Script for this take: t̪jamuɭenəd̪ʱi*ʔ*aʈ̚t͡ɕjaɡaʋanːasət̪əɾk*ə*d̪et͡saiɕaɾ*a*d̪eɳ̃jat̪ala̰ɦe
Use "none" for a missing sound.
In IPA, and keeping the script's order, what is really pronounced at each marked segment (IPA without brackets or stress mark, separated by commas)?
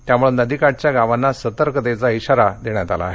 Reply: k, ə, a